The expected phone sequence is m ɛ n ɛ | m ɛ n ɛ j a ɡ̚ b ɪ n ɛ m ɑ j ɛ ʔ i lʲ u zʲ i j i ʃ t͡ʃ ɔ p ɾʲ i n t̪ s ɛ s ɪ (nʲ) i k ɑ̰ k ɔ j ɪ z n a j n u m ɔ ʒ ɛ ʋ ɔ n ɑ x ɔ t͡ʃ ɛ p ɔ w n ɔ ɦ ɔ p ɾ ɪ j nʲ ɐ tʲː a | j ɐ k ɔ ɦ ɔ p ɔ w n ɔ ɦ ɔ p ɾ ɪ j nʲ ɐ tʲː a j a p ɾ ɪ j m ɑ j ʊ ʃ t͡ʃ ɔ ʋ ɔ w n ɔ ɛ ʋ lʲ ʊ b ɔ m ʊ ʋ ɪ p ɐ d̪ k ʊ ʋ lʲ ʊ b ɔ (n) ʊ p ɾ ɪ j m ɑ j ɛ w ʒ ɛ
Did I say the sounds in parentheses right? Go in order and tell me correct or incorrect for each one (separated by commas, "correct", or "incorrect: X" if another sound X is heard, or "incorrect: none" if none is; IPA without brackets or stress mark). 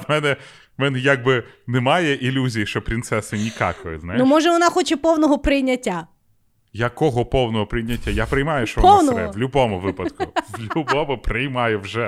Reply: correct, incorrect: m